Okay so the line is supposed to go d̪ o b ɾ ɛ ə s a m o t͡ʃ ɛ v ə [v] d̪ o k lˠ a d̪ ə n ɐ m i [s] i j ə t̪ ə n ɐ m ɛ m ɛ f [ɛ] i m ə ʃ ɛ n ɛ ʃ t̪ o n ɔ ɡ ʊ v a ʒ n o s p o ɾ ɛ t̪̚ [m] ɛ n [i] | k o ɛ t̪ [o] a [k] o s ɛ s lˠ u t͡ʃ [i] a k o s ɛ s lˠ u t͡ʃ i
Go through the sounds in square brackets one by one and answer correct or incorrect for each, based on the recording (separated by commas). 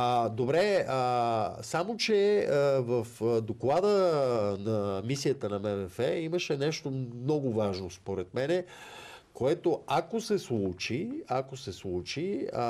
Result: incorrect, correct, correct, correct, incorrect, correct, correct, correct